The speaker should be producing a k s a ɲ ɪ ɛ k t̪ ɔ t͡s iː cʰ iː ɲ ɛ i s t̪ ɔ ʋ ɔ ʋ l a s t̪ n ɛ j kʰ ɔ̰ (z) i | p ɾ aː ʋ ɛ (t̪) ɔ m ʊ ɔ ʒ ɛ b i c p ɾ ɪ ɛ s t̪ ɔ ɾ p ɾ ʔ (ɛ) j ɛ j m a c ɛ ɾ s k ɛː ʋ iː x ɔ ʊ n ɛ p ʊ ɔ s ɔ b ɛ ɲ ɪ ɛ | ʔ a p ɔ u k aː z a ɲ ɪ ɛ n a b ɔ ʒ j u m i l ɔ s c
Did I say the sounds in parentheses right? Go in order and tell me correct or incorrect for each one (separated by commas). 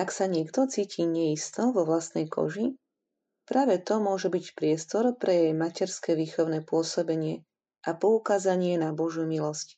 incorrect, correct, correct